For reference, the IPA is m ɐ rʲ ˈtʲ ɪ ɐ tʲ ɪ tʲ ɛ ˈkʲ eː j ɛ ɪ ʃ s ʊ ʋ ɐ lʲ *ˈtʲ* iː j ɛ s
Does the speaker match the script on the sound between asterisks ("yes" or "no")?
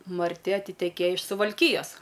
no